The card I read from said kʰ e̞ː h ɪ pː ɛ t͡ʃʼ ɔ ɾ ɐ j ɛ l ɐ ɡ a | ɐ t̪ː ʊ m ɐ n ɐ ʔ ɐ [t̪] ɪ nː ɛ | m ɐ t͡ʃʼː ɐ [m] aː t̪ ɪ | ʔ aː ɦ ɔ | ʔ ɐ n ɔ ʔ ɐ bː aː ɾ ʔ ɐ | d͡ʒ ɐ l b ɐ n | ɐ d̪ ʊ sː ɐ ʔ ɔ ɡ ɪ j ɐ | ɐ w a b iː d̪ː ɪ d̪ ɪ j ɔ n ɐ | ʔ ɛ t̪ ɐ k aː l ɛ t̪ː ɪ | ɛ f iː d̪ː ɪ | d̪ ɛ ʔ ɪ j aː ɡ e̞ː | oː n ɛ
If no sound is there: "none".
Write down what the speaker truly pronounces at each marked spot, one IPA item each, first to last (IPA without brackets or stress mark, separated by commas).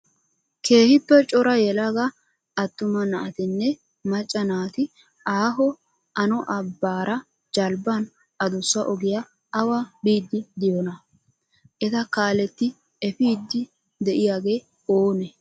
t̪, n